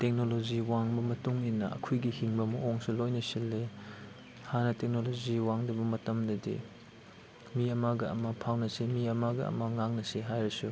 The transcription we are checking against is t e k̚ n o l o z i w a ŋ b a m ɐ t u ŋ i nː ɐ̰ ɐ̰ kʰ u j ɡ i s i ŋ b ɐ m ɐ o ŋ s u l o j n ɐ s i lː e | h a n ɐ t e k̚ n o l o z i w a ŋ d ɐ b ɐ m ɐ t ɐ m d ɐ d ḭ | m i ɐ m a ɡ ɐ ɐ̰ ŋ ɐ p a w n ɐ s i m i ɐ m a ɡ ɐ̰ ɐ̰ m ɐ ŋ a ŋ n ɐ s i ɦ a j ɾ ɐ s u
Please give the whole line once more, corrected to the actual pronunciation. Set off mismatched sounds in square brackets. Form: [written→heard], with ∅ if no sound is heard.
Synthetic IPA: t e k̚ n o l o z i w a ŋ b [a→ɐ] m ɐ t u ŋ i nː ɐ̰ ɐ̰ kʰ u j ɡ i [s→h] i ŋ b ɐ m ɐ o ŋ s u l o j n ɐ s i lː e | h a n ɐ t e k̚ n o l o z i w a ŋ d ɐ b ɐ m ɐ t ɐ m d ɐ d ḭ | m i ɐ m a ɡ ɐ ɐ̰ [ŋ→m] ɐ [p→pʰ] a w n ɐ s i m i ɐ m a ɡ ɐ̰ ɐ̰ m ɐ ŋ a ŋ n ɐ s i ɦ a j ɾ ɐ s u